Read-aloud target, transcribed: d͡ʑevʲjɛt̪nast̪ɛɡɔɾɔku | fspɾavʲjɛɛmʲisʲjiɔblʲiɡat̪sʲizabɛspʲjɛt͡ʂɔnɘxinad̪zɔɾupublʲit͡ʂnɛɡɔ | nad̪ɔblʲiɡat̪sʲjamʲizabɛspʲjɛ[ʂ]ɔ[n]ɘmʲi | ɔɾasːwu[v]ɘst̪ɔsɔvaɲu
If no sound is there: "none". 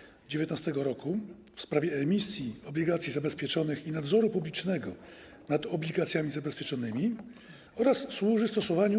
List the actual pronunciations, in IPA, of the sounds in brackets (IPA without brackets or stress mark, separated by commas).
t͡ʂ, n, ʐ